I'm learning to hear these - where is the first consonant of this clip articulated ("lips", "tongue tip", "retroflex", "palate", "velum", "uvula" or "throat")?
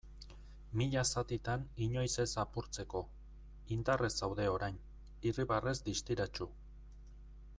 lips